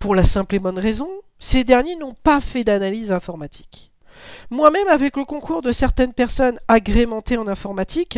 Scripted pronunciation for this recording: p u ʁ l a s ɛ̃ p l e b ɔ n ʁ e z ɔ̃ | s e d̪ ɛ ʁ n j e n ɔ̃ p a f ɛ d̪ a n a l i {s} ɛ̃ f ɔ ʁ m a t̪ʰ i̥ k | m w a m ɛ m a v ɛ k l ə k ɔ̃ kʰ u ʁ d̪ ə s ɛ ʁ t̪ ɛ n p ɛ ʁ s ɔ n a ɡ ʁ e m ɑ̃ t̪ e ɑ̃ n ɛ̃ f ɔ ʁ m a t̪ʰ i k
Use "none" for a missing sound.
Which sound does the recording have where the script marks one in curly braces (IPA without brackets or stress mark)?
z